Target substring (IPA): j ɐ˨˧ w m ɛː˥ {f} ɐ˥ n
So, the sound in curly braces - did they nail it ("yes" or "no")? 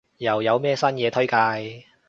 no